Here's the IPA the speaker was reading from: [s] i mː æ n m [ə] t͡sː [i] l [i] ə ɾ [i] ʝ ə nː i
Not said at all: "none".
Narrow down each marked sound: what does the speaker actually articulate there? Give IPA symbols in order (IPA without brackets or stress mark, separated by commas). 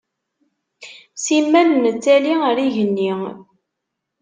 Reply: s, ə, æ, i, i